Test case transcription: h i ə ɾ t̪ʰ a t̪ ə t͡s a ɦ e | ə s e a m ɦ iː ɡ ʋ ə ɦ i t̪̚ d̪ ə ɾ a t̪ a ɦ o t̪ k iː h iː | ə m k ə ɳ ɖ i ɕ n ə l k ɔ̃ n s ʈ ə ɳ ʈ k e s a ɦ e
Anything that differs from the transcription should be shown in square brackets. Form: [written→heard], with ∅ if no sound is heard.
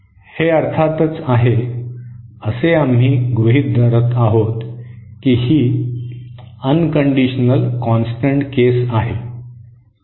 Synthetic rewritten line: h [i→e] ə ɾ t̪ʰ a t̪ ə t͡s a ɦ e | ə s e a m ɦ iː ɡ ʋ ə ɦ i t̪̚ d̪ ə ɾ [a→ə] t̪ a ɦ o t̪ k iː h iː | ə [m→n] k ə ɳ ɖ i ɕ n ə l k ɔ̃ n s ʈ ə ɳ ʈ k e s a ɦ e